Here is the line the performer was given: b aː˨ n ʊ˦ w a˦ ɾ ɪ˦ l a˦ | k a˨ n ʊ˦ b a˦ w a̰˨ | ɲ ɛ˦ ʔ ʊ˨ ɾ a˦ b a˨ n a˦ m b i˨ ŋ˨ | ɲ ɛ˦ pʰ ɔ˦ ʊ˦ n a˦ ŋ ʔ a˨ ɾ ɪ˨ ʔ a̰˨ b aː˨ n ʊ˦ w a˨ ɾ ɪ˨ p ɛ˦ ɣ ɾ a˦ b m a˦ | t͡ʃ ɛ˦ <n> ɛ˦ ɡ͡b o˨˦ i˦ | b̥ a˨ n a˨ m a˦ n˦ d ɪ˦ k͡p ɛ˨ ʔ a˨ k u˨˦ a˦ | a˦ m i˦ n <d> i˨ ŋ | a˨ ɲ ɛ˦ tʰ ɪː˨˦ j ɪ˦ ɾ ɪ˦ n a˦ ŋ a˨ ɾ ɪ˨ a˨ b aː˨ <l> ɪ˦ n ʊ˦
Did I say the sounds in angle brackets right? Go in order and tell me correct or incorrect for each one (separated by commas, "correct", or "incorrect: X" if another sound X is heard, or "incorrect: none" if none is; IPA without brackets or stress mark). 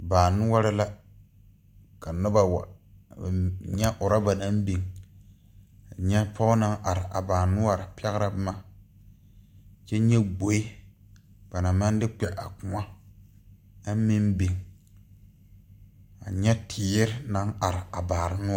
incorrect: ɲ, incorrect: b, incorrect: ɾ